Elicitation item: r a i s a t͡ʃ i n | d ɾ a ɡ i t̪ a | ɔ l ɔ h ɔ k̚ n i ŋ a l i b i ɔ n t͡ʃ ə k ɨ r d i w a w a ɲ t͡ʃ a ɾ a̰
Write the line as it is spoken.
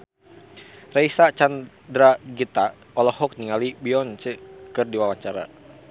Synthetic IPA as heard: r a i s a t͡ʃ a n | d ɾ a ɡ i t̪ a | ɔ l ɔ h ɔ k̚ n i ŋ a l i b i ɔ n t͡ʃ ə k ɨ r d i w a w a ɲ t͡ʃ a ɾ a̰